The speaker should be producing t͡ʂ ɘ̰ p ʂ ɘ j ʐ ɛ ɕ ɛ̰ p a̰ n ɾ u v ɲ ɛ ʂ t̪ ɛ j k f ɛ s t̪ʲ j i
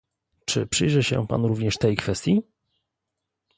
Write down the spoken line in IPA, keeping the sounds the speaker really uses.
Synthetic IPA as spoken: t͡ʂ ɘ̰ p ʂ ɘ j ʐ ɛ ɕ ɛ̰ p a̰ n ɾ u v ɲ ɛ ʂ t̪ ɛ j k f ɛ s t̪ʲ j i